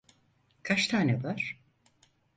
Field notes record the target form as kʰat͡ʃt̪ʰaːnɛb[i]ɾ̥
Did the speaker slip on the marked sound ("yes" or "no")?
yes